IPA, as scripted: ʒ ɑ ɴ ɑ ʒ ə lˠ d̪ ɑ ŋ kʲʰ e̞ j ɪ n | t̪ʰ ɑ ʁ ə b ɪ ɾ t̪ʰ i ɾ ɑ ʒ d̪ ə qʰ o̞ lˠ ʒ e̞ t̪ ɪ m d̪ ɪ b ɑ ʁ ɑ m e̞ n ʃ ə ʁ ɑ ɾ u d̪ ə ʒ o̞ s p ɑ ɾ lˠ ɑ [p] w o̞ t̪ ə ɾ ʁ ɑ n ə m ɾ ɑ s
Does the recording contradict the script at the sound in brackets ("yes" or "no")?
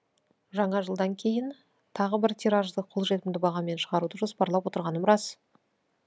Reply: no